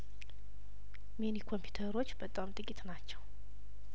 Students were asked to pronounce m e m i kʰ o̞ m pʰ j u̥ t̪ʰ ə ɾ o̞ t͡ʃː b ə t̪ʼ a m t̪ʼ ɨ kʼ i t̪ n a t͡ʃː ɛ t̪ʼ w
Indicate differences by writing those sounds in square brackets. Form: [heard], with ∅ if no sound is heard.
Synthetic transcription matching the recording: m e [n] i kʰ o̞ m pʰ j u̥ t̪ʰ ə ɾ o̞ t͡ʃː b ə t̪ʼ a m t̪ʼ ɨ kʼ i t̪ n a t͡ʃː ɛ [∅] w